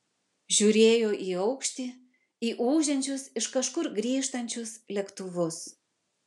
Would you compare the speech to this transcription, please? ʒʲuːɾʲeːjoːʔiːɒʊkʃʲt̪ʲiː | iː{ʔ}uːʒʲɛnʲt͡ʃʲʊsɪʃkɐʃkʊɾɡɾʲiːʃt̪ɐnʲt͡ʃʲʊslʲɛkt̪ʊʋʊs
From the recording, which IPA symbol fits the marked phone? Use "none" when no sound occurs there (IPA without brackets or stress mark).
ʔ